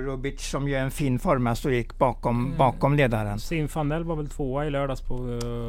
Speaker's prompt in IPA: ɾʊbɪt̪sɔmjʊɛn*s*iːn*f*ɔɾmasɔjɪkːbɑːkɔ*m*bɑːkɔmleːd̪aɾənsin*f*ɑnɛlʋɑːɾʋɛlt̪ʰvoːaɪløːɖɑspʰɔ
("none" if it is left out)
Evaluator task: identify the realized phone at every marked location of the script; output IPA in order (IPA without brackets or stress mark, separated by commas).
f, f, m, f